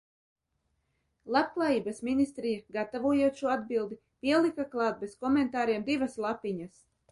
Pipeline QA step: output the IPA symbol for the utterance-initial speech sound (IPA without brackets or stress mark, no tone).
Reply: lˠ